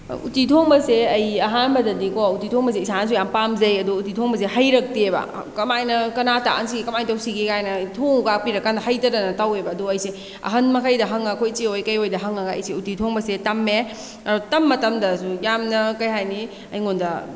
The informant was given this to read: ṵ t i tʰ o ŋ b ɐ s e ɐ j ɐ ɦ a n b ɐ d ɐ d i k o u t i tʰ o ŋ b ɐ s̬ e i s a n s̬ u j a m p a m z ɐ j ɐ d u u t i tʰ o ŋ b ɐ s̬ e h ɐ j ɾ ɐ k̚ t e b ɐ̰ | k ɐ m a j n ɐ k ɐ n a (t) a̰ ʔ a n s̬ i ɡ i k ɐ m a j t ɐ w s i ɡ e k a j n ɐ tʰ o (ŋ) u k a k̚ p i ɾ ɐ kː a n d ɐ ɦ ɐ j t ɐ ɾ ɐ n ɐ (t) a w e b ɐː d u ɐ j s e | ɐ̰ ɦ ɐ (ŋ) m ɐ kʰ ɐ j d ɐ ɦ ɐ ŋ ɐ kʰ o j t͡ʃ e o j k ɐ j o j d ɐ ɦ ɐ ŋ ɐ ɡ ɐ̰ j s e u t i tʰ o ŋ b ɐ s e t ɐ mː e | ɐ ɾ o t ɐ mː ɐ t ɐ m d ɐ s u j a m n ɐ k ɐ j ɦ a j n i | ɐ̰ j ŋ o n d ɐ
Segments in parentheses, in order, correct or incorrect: correct, correct, correct, incorrect

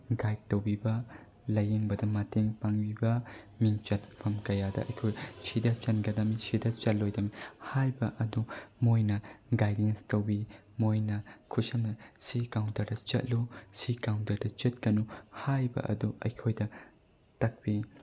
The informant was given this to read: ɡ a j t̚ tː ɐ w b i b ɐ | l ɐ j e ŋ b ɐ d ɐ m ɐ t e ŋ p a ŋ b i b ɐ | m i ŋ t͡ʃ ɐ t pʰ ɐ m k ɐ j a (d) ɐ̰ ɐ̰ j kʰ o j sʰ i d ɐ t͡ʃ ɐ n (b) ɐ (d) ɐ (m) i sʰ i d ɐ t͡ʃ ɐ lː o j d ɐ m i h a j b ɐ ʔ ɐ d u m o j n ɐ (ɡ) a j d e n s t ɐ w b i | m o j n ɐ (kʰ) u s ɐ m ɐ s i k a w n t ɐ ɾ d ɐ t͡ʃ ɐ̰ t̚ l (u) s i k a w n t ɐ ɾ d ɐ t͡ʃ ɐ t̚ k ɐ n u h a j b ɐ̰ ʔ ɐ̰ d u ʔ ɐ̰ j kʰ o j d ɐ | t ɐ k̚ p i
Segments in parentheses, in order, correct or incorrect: correct, incorrect, correct, correct, correct, correct, correct

